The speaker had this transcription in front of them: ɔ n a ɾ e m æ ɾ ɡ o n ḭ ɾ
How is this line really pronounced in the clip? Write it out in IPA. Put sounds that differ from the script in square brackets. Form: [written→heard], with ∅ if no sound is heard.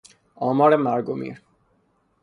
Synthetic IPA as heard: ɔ [n→m] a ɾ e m [æ→a] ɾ ɡ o [n→m] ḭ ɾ